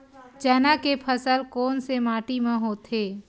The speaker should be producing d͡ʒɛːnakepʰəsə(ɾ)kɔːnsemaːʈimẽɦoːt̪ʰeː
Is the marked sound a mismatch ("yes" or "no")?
yes